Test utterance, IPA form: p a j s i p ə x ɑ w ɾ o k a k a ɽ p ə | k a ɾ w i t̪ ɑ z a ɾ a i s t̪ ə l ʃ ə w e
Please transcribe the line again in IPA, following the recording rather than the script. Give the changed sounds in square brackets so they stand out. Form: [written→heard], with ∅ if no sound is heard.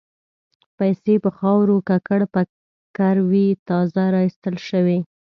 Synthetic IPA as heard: p a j s [i→e] p ə x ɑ w ɾ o k a k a ɽ p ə | k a ɾ w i t̪ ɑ z a ɾ [a→ɑ] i s t̪ ə l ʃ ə w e